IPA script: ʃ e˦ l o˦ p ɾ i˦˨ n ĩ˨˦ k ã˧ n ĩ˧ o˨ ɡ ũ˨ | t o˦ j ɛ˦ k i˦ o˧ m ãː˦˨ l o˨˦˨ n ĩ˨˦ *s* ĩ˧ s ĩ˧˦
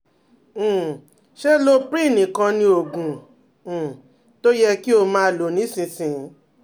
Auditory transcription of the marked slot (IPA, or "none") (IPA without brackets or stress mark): s